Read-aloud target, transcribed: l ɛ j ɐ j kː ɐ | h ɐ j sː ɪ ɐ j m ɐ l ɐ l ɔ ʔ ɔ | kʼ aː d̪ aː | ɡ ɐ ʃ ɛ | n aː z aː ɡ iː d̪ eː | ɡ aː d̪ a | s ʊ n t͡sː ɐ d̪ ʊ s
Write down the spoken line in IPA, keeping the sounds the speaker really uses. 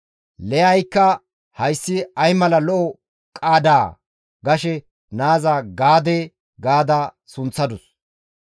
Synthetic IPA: l ɛ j ɐ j kː ɐ | h ɐ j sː ɪ ɐ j m ɐ l ɐ l ɔ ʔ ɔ | kʼ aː d̪ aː | ɡ ɐ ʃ ɛ | n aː z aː ɡ aː d̪ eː | ɡ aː d̪ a | s ʊ n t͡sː ɐ d̪ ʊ s